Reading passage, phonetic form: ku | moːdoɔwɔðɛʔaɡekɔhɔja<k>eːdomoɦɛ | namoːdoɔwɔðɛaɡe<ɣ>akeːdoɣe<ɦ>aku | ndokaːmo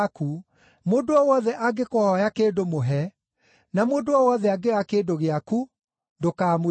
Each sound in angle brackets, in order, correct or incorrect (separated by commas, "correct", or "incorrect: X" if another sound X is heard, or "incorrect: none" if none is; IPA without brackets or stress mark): correct, correct, incorrect: none